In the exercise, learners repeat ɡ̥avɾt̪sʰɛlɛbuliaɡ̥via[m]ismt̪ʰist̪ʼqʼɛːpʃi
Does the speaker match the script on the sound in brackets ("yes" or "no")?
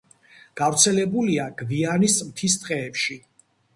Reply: no